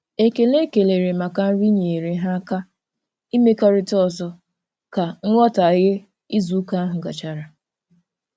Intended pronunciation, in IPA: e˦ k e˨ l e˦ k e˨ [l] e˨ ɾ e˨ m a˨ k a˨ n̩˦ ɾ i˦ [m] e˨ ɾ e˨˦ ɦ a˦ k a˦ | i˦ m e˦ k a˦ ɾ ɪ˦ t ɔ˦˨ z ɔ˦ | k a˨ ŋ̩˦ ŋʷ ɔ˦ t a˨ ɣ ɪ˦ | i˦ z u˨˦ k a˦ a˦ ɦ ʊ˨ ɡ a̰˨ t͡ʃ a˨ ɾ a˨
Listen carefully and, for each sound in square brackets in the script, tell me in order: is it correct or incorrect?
correct, incorrect

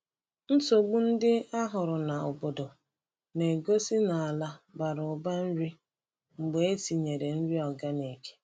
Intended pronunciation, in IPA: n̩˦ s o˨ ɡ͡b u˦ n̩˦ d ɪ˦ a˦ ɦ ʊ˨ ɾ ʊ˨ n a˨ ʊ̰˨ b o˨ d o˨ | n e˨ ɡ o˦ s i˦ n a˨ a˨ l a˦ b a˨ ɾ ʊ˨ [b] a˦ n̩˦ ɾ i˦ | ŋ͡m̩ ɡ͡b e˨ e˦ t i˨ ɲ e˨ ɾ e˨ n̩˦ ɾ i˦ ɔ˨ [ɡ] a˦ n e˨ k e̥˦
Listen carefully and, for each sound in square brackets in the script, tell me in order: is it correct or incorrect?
correct, correct

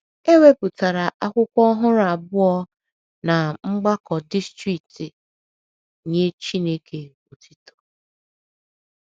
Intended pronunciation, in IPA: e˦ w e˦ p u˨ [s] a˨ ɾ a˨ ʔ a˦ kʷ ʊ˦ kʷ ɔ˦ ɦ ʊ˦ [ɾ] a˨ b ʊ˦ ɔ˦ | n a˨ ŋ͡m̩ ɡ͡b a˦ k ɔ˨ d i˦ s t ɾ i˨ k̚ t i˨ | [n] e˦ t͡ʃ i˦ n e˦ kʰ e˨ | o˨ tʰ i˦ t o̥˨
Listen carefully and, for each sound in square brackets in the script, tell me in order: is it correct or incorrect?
incorrect, correct, incorrect

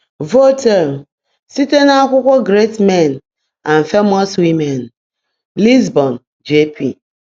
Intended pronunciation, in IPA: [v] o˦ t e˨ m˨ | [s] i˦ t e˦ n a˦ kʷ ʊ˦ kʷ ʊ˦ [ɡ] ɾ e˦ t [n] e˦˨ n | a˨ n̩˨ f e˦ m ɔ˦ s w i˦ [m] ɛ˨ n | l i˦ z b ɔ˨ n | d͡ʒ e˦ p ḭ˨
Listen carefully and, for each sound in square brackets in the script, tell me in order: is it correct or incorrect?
correct, correct, correct, incorrect, correct

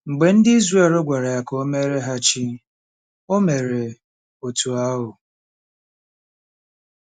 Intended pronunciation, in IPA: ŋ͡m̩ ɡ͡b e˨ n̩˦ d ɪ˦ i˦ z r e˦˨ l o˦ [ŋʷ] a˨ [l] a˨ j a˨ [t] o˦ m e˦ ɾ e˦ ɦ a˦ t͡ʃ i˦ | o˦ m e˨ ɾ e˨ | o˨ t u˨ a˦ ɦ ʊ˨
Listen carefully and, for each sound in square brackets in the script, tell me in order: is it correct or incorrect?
incorrect, incorrect, incorrect

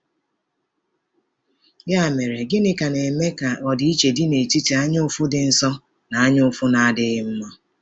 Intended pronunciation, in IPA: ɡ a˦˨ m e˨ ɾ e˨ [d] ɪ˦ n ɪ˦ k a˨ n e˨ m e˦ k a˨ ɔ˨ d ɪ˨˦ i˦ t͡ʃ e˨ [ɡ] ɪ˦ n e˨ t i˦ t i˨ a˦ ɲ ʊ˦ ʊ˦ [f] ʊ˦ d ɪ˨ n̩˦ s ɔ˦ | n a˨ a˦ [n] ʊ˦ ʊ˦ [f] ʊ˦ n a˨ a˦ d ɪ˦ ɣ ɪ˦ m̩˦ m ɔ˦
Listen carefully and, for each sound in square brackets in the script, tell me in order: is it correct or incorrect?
incorrect, incorrect, correct, incorrect, correct

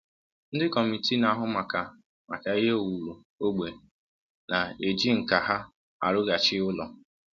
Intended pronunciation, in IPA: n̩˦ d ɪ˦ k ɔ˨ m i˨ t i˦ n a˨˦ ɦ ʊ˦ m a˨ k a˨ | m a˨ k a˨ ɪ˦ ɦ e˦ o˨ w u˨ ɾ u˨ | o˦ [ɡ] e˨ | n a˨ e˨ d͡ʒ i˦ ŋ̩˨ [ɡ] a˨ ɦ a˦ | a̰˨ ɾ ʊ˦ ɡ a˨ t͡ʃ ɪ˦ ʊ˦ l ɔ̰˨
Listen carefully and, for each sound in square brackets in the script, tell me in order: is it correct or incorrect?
incorrect, incorrect

